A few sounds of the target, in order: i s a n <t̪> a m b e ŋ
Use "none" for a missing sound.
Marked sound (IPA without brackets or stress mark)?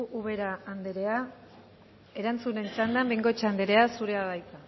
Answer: d̪